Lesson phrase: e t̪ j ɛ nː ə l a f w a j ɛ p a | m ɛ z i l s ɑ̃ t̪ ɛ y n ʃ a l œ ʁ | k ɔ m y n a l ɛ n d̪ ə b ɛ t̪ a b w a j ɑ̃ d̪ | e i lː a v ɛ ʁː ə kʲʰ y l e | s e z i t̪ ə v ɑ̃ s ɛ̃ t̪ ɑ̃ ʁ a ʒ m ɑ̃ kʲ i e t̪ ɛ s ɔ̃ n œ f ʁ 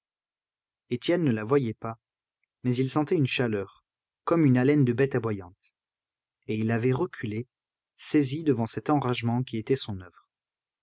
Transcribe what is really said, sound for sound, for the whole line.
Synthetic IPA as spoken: e t̪ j ɛ nː ə l a v w a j ɛ p a | m ɛ z i l s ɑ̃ t̪ ɛ y n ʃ a l œ ʁ | k ɔ m y n a l ɛ n d̪ ə b ɛ t̪ a b w a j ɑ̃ t̪ | e i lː a v ɛ ʁ ə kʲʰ y l e | s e z i d̪ ə v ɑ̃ s ɛ t̪ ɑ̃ ʁ a ʒ m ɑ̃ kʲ i e t̪ ɛ s ɔ̃ n œ v ʁ